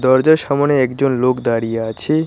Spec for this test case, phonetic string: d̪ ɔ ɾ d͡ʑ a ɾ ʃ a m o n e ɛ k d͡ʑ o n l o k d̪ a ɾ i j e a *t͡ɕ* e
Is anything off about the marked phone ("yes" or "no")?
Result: yes